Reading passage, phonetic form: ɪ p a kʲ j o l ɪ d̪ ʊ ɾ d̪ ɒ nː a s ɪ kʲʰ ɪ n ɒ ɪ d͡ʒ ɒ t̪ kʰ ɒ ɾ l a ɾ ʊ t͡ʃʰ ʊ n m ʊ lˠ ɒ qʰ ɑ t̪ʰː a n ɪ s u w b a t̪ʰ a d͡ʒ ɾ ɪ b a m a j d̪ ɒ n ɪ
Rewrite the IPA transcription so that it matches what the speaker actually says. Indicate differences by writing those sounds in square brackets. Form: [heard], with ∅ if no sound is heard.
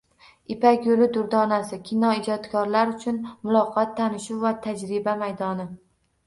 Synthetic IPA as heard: ɪ p a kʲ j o l ɪ d̪ ʊ ɾ d̪ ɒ [n] a s ɪ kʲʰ ɪ n ɒ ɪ d͡ʒ ɒ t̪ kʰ ɒ ɾ l a ɾ ʊ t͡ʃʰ ʊ n m ʊ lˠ ɒ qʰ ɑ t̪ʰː a n ɪ [ʃ] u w [v] a t̪ʰ a d͡ʒ ɾ ɪ b a m a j d̪ ɒ n ɪ